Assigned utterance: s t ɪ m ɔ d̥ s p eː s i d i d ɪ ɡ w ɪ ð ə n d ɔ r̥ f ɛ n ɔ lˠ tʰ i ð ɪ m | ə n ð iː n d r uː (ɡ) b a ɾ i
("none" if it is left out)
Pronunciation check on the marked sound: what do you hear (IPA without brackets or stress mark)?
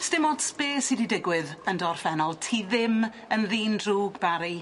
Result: ɡ